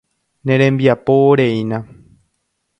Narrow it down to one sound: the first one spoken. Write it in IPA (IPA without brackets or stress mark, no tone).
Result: n